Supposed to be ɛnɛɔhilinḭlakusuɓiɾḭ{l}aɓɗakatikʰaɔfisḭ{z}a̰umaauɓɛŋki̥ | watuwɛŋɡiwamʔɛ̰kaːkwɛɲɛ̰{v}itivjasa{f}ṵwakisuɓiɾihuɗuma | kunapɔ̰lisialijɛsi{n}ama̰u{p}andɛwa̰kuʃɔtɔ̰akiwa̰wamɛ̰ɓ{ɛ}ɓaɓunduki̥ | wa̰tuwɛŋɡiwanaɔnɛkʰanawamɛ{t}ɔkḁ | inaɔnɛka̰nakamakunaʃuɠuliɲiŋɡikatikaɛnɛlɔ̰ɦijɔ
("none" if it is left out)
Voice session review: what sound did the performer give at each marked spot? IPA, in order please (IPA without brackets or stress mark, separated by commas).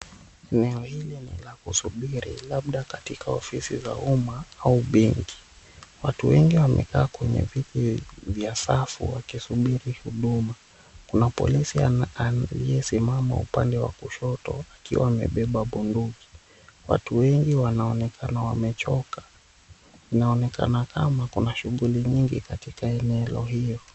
l, z, v, f, m, p, ɛ, t͡ʃ